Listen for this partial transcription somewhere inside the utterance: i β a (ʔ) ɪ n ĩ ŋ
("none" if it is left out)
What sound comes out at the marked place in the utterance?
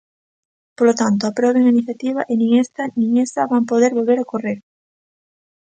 ʔ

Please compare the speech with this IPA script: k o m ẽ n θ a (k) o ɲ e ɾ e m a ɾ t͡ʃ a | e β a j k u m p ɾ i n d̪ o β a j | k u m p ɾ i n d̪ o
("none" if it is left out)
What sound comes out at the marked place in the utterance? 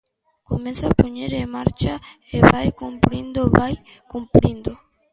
p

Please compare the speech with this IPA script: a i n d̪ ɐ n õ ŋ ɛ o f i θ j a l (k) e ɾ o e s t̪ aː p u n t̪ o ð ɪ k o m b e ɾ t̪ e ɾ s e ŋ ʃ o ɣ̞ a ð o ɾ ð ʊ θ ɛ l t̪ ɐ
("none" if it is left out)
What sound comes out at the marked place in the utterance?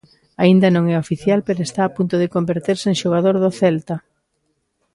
p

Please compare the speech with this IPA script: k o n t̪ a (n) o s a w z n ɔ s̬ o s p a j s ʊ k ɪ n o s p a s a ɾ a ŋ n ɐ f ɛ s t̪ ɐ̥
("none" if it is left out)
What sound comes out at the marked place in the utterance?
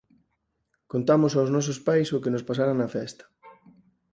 m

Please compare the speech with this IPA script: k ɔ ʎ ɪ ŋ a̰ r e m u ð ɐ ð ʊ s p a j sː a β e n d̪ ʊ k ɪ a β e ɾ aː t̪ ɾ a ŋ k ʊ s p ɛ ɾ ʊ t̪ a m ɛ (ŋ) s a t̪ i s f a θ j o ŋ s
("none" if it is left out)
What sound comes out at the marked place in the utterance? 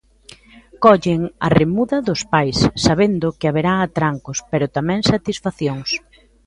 ŋ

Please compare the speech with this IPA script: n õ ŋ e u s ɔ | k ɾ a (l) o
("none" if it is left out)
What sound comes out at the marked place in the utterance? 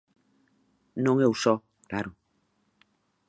ɾ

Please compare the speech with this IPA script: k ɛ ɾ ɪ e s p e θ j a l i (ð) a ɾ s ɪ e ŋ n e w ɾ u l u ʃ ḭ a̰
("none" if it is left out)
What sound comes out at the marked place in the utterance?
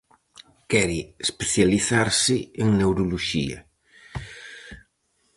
θ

